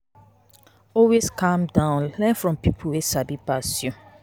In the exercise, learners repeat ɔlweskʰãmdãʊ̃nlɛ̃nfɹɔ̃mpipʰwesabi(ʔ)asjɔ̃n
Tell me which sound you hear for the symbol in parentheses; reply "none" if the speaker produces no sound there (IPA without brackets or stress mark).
p